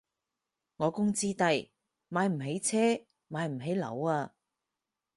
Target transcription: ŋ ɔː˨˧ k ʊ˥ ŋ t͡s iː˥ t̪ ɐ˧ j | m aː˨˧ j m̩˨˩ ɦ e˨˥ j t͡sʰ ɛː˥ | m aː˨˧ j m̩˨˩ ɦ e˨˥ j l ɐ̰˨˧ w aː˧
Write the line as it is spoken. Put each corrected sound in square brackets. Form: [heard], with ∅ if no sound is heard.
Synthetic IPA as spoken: ŋ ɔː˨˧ k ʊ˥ ŋ t͡s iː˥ t̪ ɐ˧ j | m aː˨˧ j m̩˨˩ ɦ e˨˥ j t͡sʰ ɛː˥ | m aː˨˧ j m̩˨˩ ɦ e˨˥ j l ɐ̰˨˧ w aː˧